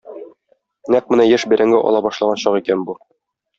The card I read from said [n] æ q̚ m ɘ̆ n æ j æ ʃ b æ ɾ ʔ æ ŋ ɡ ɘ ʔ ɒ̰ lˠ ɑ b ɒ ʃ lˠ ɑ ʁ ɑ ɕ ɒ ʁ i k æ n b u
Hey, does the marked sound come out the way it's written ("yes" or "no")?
yes